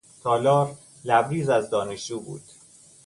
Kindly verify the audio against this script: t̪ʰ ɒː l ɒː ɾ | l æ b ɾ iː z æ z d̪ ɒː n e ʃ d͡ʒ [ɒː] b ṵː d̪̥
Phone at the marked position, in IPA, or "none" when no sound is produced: uː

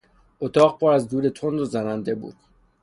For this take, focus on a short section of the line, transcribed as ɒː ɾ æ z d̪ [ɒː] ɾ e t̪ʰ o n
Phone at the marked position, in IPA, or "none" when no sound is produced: uː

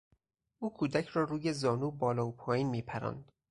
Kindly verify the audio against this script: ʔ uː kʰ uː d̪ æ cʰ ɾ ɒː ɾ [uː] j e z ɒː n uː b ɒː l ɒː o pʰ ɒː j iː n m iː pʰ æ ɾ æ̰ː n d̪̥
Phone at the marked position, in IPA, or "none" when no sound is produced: uː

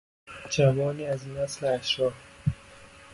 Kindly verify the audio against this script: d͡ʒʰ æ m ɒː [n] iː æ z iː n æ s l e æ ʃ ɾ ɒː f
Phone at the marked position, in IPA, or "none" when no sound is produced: n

